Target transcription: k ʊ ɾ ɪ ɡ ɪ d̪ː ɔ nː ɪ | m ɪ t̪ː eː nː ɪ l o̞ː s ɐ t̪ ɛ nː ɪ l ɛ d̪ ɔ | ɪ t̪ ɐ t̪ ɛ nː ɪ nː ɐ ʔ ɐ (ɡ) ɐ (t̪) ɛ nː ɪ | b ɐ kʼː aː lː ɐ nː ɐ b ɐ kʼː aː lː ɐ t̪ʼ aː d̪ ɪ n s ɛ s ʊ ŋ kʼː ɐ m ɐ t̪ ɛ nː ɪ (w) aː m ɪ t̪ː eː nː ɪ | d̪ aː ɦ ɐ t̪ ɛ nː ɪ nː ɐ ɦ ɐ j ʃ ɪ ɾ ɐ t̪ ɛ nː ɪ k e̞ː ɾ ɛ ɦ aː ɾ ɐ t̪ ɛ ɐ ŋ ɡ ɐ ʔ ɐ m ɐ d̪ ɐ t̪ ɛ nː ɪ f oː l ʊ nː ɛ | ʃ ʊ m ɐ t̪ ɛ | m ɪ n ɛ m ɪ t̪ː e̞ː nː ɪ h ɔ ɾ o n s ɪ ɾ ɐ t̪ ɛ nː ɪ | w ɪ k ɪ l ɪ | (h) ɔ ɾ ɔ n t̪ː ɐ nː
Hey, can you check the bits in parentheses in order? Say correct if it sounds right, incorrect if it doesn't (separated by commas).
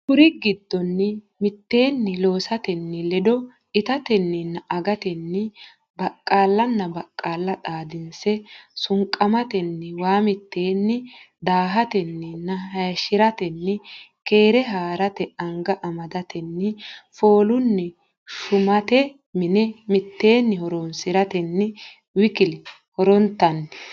correct, correct, correct, correct